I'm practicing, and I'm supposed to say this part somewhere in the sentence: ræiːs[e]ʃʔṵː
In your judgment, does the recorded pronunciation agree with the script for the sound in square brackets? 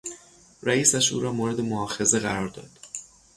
no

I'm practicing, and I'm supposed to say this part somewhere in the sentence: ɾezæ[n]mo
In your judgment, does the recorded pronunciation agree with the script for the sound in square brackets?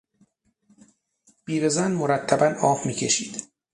yes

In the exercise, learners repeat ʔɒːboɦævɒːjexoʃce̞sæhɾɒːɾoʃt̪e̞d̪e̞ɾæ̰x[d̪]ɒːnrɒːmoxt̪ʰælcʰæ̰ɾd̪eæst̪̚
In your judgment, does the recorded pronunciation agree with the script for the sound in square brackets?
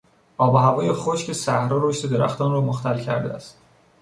no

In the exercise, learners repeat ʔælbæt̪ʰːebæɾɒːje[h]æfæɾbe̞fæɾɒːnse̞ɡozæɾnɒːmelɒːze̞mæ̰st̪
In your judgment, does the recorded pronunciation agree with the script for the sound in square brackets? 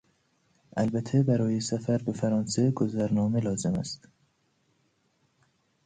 no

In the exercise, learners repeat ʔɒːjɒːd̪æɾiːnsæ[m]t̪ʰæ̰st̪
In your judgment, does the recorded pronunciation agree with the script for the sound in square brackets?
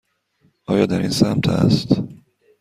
yes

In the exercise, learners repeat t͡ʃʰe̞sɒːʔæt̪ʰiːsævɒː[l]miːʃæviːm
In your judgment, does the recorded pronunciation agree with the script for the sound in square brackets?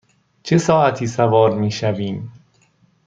no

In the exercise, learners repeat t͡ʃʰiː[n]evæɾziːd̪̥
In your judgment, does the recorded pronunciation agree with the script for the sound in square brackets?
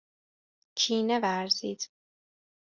yes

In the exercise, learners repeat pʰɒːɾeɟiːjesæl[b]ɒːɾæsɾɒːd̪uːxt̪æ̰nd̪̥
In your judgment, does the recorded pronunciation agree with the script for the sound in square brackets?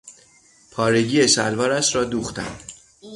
no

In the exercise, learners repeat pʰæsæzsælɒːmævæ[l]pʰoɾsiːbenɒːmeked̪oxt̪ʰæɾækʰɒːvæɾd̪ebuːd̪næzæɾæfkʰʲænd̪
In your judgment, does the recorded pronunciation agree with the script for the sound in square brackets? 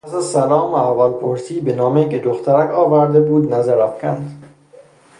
yes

